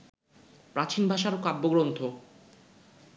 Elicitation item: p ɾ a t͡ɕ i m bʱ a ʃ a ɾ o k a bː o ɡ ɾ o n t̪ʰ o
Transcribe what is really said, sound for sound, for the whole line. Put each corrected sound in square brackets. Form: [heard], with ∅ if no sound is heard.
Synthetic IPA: p ɾ a t͡ɕ i [n] bʱ a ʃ a ɾ o k a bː o ɡ ɾ o n t̪ʰ o